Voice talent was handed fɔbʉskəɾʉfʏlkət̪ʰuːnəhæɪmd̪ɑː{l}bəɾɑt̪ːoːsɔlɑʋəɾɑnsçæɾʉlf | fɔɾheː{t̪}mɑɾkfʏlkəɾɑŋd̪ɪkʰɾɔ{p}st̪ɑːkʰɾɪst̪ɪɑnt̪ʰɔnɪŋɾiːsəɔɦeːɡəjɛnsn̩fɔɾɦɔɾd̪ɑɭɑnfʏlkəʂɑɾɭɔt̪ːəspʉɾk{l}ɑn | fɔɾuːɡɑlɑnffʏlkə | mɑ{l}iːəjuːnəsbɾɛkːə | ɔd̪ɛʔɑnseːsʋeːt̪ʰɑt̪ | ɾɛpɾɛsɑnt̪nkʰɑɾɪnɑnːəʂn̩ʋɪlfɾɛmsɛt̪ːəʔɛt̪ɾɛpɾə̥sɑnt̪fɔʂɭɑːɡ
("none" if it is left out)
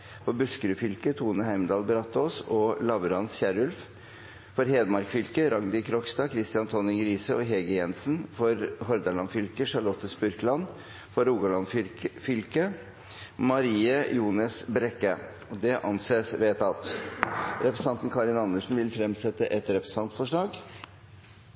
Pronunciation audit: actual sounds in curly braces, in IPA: l, d̪, k, l, ɾ

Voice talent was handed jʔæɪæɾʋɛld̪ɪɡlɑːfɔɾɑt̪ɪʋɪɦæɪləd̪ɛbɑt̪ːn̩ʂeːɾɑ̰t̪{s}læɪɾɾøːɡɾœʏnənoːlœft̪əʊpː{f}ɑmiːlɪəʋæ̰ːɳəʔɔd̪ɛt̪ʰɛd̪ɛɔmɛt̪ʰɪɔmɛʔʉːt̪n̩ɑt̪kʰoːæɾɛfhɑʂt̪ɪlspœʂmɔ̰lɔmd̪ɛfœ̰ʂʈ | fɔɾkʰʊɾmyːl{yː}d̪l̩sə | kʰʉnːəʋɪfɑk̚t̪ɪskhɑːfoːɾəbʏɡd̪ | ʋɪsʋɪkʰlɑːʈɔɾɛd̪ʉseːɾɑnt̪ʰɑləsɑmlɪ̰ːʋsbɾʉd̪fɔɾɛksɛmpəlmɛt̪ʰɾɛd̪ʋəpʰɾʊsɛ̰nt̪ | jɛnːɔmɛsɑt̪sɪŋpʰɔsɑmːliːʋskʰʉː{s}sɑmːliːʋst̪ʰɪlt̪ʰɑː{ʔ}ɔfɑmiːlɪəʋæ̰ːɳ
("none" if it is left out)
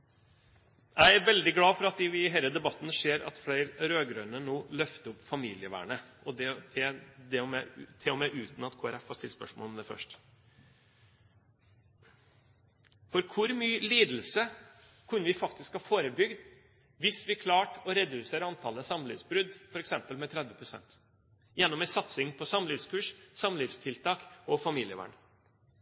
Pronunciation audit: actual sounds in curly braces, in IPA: f, f, iː, ʂ, k

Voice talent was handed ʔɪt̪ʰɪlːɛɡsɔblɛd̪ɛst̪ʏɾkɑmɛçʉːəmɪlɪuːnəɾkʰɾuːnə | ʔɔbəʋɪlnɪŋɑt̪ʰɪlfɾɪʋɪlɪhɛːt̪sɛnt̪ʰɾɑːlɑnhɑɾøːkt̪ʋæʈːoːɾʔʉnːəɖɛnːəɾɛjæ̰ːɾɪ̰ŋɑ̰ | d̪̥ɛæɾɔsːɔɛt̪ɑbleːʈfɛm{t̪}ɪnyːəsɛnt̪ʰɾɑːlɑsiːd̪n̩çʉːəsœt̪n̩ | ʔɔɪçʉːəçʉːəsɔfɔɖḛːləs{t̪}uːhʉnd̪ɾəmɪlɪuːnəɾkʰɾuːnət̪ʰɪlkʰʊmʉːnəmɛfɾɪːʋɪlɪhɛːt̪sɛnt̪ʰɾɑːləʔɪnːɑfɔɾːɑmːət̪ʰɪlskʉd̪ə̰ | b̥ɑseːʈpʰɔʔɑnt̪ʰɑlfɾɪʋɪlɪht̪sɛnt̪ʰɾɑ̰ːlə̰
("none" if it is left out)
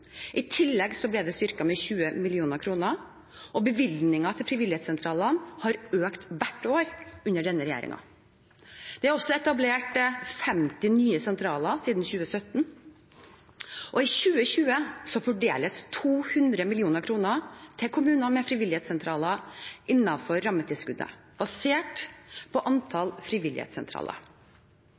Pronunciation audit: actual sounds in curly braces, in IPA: t̪, t̪ʰ

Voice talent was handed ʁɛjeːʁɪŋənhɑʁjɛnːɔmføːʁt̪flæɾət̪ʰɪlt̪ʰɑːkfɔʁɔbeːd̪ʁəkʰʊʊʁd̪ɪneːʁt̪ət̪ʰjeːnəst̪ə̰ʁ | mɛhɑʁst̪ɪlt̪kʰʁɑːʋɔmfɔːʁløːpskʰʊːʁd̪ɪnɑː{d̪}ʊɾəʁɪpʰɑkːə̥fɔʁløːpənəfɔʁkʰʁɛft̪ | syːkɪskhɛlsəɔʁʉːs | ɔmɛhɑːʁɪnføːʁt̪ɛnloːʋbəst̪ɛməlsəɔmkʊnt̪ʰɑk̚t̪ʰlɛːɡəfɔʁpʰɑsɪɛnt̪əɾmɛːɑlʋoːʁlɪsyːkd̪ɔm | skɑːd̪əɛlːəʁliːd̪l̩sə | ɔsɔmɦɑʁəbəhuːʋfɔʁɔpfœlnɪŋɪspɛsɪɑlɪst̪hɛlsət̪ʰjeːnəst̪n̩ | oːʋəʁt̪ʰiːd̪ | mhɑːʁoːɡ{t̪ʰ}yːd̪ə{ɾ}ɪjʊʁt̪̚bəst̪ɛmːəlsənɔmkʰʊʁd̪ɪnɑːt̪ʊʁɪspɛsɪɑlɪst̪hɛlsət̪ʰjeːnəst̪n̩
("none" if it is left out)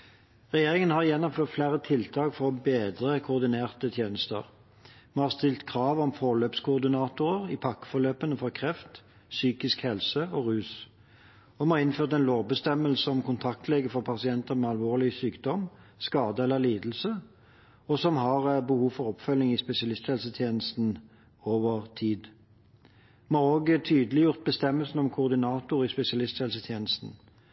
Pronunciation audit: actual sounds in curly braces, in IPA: t̪, t̪ʰ, l

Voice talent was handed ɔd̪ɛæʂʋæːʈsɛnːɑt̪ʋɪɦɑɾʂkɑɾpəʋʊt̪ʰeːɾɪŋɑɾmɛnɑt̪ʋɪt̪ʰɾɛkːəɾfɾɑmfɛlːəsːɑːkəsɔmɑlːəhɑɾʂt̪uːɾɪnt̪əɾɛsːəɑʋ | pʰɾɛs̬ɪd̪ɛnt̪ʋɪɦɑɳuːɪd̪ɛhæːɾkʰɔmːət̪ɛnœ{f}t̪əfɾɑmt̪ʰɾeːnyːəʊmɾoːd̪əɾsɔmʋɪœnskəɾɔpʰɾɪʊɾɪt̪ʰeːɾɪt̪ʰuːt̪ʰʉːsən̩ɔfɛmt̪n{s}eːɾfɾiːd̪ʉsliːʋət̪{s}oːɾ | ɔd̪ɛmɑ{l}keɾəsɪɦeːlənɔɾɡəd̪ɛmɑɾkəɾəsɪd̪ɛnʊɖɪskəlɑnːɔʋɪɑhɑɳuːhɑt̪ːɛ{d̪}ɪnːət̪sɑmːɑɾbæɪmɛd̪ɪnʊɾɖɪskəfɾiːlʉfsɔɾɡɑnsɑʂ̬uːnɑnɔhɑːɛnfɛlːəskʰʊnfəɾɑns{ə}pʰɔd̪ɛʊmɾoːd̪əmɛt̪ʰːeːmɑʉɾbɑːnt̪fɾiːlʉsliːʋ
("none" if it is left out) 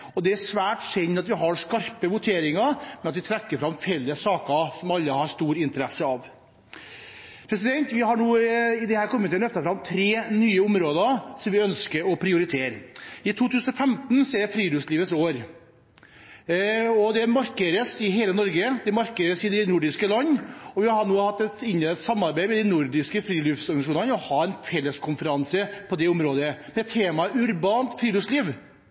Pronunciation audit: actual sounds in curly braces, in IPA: f, s, s, ɾ, t̪, ə

